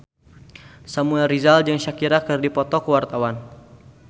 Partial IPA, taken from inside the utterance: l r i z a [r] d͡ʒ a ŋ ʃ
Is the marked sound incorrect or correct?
incorrect